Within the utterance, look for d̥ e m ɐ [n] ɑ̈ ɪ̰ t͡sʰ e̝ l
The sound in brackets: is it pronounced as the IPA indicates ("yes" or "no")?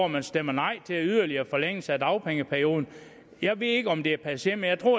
yes